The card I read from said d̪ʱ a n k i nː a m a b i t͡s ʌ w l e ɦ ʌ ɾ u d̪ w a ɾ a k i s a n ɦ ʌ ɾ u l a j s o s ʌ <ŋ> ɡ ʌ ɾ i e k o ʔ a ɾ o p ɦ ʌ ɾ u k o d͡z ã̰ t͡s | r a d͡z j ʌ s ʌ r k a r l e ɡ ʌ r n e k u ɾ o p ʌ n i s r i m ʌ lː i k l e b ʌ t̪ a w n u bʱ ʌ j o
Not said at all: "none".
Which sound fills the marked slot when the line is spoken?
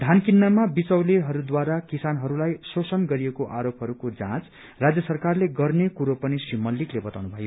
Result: n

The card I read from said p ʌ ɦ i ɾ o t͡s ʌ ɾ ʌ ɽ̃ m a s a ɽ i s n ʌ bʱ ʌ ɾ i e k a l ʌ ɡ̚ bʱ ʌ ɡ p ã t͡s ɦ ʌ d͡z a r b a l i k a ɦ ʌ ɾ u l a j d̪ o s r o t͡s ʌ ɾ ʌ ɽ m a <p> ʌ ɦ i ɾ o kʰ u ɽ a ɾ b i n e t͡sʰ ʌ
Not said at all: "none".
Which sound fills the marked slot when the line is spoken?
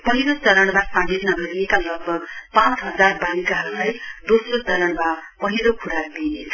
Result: p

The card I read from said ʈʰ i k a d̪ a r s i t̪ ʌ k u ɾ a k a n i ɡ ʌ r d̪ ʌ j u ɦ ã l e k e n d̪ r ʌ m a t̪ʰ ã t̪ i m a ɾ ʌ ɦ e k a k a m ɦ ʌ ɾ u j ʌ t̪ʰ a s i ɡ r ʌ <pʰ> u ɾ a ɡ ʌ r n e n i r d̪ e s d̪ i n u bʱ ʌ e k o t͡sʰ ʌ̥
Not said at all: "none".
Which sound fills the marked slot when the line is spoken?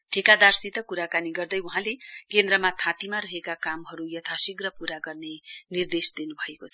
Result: p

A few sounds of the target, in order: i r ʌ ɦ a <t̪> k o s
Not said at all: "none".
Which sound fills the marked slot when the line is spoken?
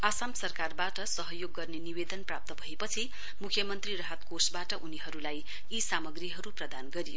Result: t̪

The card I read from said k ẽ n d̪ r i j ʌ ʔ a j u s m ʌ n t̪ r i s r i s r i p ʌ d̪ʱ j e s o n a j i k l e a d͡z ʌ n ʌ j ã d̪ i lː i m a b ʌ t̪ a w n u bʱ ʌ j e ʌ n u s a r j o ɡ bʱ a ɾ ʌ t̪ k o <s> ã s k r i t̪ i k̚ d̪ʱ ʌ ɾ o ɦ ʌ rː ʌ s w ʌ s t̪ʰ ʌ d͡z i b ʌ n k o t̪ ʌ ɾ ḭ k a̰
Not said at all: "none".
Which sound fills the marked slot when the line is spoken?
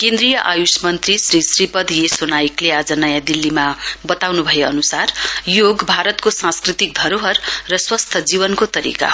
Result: s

